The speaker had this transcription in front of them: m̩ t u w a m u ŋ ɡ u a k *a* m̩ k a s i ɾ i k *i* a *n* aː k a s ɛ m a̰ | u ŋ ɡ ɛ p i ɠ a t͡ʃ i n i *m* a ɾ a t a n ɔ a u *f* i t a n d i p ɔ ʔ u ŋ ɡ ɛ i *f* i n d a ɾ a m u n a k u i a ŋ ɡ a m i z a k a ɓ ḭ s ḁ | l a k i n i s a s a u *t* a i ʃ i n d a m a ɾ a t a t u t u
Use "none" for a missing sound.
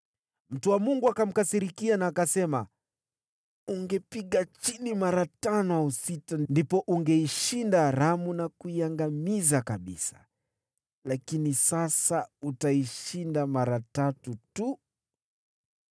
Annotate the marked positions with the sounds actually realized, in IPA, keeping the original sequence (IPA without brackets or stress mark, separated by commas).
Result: a, i, n, m, s, ʃ, t